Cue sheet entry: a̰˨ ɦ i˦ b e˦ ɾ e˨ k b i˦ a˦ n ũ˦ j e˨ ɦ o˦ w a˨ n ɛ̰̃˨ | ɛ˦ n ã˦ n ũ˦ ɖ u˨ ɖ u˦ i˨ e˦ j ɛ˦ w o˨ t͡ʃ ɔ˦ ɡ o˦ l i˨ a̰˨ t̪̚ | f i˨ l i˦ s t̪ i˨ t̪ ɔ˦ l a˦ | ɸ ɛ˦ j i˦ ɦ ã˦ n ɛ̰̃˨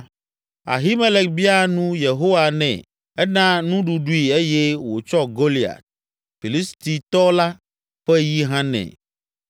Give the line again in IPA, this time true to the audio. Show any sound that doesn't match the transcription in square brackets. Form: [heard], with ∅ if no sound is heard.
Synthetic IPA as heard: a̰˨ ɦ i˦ [m] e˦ [l] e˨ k b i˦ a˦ n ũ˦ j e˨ ɦ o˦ w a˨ n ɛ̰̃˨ | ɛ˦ n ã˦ n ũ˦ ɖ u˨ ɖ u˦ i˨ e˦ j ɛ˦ w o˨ t͡ʃ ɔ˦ ɡ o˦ l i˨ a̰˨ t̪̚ | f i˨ l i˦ s t̪ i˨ t̪ ɔ˦ l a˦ | ɸ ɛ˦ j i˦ ɦ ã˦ n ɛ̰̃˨